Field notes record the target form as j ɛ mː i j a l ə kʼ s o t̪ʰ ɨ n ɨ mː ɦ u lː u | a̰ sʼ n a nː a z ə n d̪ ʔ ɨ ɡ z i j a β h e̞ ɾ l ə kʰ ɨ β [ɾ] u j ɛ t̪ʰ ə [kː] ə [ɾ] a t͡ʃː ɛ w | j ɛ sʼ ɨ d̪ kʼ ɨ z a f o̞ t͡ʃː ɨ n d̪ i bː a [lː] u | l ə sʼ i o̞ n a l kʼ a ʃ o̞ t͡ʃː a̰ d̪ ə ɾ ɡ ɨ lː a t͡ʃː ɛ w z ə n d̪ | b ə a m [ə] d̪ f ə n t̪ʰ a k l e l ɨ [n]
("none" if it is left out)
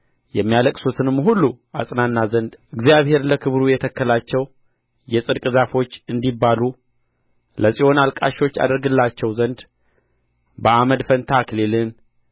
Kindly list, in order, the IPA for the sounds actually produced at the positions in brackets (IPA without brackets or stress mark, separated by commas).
ɾ, kː, l, l, ə, n